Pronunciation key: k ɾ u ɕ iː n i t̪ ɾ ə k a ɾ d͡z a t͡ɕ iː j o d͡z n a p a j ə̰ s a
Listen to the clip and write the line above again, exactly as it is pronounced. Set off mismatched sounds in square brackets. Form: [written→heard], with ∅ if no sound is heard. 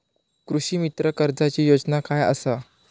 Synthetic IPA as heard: k ɾ u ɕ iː [n→m] i t̪ ɾ ə k [a→ə] ɾ d͡z a t͡ɕ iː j o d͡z n a [p→k] a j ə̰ s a